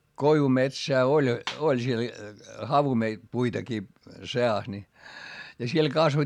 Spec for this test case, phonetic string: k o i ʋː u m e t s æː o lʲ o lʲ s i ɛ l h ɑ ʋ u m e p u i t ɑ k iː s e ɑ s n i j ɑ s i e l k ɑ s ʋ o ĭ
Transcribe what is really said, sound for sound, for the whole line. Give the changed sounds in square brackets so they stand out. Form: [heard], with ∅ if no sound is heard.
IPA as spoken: k o i [ʋ] u m e t s æː o lʲ o lʲ s i [e] l h ɑ ʋ u m e p u i t ɑ k iː s e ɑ s n i j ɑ s i e l k ɑ s ʋ o ĭ